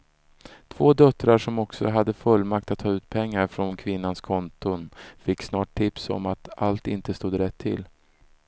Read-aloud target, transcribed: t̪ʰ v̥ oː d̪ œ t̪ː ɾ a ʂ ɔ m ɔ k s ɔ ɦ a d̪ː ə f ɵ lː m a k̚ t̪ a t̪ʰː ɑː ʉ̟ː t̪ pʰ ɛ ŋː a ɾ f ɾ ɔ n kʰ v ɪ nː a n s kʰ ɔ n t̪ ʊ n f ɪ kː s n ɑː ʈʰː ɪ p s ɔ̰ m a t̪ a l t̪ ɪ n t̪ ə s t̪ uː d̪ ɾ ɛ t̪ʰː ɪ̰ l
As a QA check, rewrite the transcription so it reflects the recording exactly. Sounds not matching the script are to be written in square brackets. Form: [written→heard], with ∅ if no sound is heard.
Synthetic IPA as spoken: t̪ʰ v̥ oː d̪ œ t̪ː ɾ a ʂ ɔ m ɔ k s ɔ ɦ a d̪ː ə f ɵ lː m a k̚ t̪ a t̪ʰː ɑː ʉ̟ː t̪ pʰ ɛ ŋː a ɾ f ɾ ɔ n kʰ v ɪ nː a n s kʰ ɔ n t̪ ʊ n f ɪ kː s n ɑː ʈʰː ɪ p s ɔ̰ m a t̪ a l t̪ ɪ n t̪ ə s t̪ uː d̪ ɾ ɛ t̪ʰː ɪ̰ l